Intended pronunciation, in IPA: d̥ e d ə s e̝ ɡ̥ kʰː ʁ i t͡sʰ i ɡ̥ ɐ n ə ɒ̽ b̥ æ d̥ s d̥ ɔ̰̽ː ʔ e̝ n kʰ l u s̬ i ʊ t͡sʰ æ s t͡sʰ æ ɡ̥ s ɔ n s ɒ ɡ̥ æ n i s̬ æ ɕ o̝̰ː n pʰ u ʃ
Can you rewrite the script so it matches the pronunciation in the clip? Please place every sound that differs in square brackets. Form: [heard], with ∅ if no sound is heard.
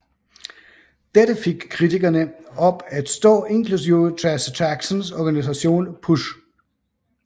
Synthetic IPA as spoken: d̥ e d ə [f] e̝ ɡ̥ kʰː ʁ i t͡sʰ i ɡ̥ ɐ n ə ɒ̽ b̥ æ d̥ s d̥ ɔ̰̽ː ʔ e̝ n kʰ l u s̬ i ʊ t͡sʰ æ s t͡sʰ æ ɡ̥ s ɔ n s ɒ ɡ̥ æ n i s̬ æ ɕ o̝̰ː n pʰ u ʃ